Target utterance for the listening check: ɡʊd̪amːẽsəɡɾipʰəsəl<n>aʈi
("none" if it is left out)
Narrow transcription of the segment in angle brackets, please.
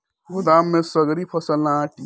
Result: n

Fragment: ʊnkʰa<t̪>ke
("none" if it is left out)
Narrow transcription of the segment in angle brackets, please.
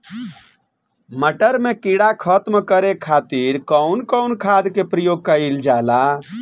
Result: d̪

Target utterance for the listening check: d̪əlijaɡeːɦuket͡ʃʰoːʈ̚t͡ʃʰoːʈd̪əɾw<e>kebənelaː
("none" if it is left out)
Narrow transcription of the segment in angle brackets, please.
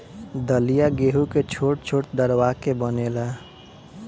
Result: a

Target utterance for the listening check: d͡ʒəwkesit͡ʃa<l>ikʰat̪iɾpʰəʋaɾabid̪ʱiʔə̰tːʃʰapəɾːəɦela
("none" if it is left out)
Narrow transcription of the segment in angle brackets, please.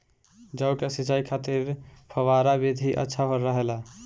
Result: none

